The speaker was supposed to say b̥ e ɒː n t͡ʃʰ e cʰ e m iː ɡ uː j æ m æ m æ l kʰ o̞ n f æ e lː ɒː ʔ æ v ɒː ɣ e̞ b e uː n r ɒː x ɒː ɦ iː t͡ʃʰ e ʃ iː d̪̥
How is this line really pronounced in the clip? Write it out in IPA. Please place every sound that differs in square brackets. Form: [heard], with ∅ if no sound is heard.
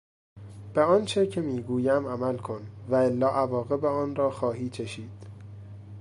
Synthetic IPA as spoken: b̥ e ɒː n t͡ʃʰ e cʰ e m iː ɡ uː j æ m æ m æ l kʰ o̞ n [v] æ e lː ɒː ʔ æ v ɒː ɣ e̞ b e [ɒː] n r ɒː x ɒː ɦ iː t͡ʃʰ e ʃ iː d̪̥